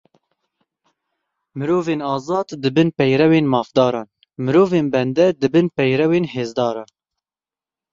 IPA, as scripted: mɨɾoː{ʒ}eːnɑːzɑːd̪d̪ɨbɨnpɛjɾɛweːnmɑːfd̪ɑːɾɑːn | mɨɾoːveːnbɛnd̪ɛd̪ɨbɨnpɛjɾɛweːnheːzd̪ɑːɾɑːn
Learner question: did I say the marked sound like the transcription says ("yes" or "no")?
no